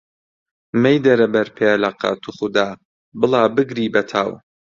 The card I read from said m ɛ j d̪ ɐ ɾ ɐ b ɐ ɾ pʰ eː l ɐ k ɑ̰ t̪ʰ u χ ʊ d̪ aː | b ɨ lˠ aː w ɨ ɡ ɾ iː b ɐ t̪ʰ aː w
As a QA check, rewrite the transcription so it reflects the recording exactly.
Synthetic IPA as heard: m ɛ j d̪ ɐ ɾ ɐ b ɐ ɾ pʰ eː l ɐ q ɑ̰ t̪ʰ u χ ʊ d̪ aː | b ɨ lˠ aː b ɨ ɡ ɾ iː b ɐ t̪ʰ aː w

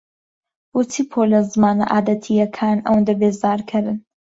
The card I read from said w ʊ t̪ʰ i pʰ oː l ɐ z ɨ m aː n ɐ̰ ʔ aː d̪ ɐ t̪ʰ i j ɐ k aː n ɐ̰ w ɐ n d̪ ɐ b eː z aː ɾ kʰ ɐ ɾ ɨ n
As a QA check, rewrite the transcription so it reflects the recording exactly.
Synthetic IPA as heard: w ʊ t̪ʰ i pʰ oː l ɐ z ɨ m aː n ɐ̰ ʔ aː d̪ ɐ t̪ʰ i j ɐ kʰ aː n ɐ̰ w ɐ n d̪ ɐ b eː z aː ɾ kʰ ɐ ɾ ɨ n

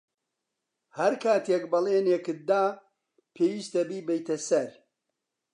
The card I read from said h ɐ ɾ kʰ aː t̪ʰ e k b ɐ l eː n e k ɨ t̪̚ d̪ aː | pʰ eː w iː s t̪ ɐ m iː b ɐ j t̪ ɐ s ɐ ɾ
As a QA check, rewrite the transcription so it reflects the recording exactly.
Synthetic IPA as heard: h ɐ ɾ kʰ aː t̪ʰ e k b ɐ l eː n e k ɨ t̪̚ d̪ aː | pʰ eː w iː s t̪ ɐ b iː b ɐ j t̪ ɐ s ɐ ɾ

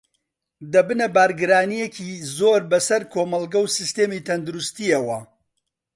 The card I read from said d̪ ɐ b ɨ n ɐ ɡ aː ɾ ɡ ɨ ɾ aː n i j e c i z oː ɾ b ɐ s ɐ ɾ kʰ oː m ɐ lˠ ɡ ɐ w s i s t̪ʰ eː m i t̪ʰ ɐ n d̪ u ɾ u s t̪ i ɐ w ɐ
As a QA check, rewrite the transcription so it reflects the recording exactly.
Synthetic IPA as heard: d̪ ɐ b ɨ n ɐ b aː ɾ ɡ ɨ ɾ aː n i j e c i z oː ɾ b ɐ s ɐ ɾ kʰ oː m ɐ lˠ ɡ ɐ w s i s t̪ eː m i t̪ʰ ɐ n d̪ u ɾ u s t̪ i ɐ w ɐ

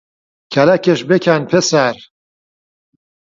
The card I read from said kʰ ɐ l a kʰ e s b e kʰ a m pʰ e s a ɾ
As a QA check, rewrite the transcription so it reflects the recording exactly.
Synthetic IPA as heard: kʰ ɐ l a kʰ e ʃ b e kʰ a n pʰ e s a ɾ

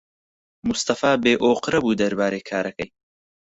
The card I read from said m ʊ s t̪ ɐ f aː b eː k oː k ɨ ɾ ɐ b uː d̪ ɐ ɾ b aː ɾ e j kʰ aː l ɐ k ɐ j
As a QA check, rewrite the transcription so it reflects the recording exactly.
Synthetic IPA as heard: m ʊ s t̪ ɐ f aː b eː ʔ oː q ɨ ɾ ɐ b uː d̪ ɐ ɾ b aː ɾ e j kʰ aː ɾ ɐ k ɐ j

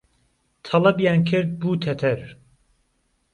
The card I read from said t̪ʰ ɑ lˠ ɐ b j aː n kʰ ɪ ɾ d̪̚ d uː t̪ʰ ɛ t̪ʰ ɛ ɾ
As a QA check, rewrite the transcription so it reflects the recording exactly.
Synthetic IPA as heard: t̪ʰ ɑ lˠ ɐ b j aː n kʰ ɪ ɾ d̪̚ b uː t̪ʰ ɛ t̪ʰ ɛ ɾ

